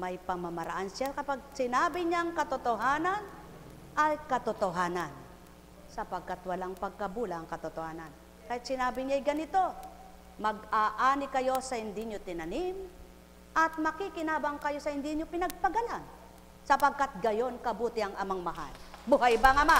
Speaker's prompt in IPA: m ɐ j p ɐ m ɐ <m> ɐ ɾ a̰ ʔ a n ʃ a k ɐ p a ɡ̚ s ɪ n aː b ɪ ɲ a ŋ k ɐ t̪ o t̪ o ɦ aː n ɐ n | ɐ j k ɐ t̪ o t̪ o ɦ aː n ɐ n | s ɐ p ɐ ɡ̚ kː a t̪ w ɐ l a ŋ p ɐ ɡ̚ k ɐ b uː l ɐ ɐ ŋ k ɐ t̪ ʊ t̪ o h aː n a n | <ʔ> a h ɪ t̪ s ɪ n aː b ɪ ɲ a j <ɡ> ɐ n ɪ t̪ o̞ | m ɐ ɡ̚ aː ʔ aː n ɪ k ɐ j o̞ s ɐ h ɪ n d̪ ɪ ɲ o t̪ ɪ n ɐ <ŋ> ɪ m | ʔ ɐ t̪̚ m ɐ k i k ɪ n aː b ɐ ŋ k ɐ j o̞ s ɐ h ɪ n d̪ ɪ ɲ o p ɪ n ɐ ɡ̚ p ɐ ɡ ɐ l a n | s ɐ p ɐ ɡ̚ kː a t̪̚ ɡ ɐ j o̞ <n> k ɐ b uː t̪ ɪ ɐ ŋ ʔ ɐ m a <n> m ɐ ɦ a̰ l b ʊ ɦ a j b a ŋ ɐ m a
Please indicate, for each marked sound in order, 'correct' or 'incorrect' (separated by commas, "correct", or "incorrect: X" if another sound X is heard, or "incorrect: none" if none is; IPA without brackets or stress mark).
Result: correct, incorrect: k, correct, incorrect: n, correct, incorrect: ŋ